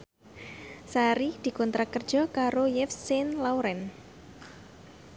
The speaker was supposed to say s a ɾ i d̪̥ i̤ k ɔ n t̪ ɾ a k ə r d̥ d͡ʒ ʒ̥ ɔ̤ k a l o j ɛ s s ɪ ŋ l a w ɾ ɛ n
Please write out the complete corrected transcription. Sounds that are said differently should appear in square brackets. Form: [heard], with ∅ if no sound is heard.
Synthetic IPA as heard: s a ɾ i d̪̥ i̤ k ɔ n t̪ ɾ a k ə r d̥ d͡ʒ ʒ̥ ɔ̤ k a [ɾ] o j ɛ [f] s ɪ [n] l a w ɾ ɛ n